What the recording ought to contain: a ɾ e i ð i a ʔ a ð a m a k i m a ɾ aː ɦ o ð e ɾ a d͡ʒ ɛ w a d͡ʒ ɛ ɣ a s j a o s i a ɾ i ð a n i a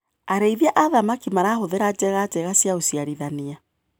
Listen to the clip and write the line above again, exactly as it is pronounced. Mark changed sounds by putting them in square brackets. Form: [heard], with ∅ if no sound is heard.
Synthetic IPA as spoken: a ɾ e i ð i a ʔ a ð a m a k i m a ɾ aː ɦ o ð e ɾ a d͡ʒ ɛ [ɣ] a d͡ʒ ɛ ɣ a s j a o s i a ɾ i ð a n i a